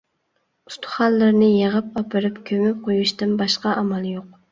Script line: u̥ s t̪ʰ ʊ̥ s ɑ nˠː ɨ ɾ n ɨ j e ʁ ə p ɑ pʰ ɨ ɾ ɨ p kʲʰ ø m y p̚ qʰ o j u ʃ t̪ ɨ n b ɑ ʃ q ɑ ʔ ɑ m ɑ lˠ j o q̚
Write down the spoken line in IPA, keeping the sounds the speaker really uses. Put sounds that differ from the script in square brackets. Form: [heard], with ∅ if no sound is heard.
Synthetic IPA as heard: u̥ s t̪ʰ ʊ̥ [χ] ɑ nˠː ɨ ɾ n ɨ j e ʁ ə p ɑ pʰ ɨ ɾ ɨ p kʲʰ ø m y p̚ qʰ o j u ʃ t̪ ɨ n b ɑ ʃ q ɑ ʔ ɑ m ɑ lˠ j o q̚